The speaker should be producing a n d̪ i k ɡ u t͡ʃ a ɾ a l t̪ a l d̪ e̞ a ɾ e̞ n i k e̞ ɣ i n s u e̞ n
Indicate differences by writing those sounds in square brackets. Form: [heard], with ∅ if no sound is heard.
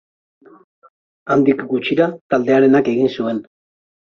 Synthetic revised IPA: a n d̪ i k ɡ u t͡ʃ [i] ɾ a [∅] t̪ a l d̪ e̞ a ɾ e̞ n [a] k e̞ ɣ i n s u e̞ n